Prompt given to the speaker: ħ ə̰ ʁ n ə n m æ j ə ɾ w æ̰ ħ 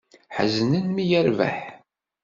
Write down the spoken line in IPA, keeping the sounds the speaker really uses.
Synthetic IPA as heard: ħ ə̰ z n ə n m i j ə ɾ v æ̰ ħ